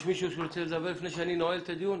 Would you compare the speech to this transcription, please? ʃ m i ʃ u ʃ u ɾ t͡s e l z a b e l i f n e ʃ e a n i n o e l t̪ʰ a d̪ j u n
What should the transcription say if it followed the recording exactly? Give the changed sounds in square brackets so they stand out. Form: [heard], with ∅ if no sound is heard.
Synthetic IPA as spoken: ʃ m i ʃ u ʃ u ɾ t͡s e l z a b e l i f n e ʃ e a n i n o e l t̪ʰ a d̪ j u n